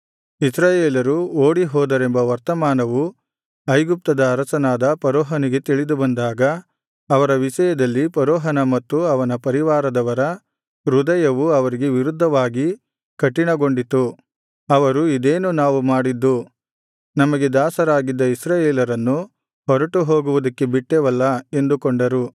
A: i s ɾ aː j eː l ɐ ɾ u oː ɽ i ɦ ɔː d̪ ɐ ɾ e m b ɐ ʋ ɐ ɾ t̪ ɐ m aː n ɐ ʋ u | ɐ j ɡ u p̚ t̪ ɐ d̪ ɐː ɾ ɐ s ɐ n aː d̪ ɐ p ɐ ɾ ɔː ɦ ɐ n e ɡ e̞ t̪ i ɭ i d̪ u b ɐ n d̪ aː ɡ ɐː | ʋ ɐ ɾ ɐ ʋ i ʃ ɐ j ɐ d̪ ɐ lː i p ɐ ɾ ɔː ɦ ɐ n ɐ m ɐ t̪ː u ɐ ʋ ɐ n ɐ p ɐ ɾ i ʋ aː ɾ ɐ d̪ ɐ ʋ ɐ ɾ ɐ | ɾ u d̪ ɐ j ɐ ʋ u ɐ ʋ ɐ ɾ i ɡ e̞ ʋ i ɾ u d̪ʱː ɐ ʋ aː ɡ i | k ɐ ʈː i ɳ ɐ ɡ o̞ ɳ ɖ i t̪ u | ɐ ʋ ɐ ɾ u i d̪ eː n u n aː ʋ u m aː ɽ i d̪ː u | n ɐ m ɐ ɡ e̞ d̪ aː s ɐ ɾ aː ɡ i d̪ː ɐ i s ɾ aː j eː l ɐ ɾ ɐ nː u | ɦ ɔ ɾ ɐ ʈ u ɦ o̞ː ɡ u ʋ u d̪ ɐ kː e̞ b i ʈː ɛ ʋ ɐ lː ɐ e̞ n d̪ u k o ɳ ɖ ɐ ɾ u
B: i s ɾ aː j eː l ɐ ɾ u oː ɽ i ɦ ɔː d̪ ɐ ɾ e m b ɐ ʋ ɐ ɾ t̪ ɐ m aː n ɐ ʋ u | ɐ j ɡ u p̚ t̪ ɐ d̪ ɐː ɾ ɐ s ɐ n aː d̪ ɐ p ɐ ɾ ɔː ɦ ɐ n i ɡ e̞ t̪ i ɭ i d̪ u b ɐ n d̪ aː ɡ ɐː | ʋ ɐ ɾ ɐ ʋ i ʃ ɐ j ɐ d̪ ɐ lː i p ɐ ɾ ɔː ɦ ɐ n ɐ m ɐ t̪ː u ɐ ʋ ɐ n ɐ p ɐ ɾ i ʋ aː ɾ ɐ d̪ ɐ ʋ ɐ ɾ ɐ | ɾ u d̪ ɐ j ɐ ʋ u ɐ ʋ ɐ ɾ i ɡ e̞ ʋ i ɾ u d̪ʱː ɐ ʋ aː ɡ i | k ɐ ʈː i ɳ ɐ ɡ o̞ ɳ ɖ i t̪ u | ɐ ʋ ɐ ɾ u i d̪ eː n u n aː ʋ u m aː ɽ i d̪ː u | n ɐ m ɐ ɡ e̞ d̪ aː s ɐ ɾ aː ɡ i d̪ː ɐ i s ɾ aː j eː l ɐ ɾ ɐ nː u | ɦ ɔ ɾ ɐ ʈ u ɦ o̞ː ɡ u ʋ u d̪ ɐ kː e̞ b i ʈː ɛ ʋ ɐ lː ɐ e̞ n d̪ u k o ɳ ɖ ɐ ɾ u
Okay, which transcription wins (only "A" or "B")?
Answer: B